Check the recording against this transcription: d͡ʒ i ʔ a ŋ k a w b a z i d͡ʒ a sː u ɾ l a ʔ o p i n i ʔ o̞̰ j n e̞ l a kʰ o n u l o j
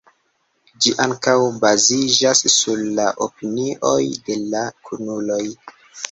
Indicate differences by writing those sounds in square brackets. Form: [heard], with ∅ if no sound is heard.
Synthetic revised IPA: d͡ʒ i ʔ a ŋ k a w b a z i d͡ʒ a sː u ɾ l a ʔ o p i n i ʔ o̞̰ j [d] e̞ l a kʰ [u] n u l o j